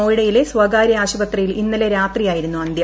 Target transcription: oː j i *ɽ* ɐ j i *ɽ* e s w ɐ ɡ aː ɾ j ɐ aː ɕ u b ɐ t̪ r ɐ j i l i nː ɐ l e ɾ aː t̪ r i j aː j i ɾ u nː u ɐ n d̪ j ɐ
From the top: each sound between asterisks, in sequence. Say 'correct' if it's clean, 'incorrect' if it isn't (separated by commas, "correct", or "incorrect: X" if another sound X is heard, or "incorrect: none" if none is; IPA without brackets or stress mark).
correct, incorrect: l